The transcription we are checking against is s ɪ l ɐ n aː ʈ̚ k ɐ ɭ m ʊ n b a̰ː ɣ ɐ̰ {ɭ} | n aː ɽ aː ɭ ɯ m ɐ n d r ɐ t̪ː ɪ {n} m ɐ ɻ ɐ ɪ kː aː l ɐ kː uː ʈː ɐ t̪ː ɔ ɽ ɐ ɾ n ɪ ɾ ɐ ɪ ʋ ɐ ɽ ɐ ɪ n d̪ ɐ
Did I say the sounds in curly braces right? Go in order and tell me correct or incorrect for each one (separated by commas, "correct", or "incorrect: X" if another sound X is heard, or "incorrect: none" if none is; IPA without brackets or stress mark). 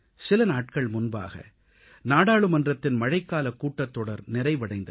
incorrect: none, correct